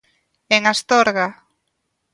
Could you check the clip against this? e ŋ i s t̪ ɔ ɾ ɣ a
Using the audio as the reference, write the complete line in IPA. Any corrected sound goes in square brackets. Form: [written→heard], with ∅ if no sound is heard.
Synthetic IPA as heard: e ŋ [i→a] s t̪ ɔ ɾ ɣ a